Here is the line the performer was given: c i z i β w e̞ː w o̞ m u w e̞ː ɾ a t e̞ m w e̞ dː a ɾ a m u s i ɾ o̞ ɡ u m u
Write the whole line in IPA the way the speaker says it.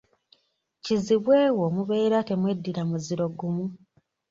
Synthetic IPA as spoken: c i z i β w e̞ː w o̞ m u β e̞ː ɾ a t e̞ m w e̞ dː i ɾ a m u z i ɾ o̞ ɡ u m u